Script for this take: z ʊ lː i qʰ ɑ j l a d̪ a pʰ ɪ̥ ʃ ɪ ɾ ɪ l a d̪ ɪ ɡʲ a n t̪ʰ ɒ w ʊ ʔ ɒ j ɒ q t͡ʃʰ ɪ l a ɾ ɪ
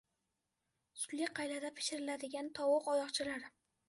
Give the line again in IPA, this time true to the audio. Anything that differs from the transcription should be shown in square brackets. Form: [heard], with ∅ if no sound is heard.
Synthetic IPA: [s] ʊ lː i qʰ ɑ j l a d̪ a pʰ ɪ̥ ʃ ɪ ɾ ɪ l a d̪ ɪ ɡʲ a n t̪ʰ ɒ w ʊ [q] ɒ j ɒ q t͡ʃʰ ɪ l a ɾ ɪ